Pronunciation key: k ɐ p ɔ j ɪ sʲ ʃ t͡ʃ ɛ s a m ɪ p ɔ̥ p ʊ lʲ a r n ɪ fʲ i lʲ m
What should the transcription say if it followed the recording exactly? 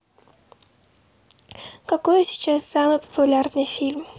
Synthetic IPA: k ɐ k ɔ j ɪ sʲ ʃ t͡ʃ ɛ s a m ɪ p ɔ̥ p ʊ lʲ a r n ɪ fʲ i lʲ m

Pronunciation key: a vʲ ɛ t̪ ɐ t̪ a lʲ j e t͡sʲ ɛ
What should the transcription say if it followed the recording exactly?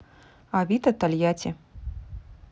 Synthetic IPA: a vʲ i t̪ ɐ t̪ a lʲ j a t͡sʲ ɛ

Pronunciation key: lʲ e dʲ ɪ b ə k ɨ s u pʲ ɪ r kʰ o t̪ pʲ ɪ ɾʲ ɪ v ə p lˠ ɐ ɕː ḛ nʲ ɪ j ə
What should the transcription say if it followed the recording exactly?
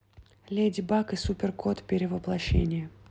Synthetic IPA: lʲ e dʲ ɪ b a k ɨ s u pʲ ɪ r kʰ o t̪ pʲ ɪ ɾʲ ɪ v ə p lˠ ɐ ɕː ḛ nʲ ɪ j ə

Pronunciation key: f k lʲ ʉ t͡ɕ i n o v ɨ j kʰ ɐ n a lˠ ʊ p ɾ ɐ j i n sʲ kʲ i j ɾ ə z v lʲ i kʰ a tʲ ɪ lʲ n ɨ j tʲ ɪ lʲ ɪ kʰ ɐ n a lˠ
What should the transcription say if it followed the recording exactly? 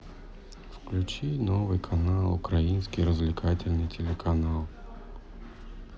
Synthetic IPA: f k lʲ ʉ t͡ɕ i n o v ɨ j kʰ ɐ n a lˠ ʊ k ɾ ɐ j i n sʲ kʲ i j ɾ ə z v lʲ ɪ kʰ a tʲ ɪ lʲ n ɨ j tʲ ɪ lʲ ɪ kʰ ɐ n a lˠ

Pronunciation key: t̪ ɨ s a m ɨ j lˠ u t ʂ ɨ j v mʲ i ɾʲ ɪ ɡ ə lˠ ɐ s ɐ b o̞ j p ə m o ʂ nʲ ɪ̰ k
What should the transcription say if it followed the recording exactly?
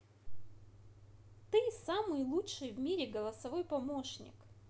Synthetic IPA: t̪ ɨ s a m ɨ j lˠ u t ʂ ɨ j v mʲ i ɾʲ ɪ ɡ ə lˠ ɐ s ɐ v o̞ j p ɐ m o ʂ nʲ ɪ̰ k

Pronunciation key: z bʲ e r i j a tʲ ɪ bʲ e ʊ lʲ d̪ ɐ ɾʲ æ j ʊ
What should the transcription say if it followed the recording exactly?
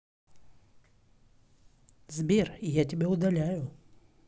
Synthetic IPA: z bʲ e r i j a tʲ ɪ bʲ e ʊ d̪ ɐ lʲ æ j ʊ

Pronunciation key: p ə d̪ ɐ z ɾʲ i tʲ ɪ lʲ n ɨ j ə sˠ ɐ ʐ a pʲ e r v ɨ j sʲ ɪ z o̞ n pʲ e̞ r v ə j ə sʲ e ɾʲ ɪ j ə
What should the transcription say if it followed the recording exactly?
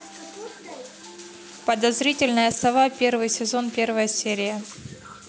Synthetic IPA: p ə d̪ ɐ z ɾʲ i tʲ ɪ lʲ n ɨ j ə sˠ ɐ v a pʲ e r v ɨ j sʲ ɪ z o̞ n pʲ e̞ r v ə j ə sʲ e ɾʲ ɪ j ə

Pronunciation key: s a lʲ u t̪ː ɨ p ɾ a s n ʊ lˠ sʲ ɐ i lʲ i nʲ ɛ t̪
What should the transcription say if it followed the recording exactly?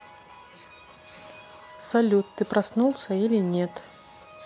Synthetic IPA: s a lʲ u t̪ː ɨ p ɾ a s n u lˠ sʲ ɐ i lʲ i nʲ ɛ t̪

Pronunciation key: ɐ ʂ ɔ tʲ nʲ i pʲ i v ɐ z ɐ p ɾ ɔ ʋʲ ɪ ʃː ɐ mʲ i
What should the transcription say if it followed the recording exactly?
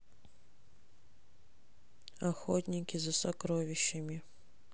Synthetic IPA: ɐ x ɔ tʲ nʲ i kʲ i z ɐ s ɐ k ɾ ɔ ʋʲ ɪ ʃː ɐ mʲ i

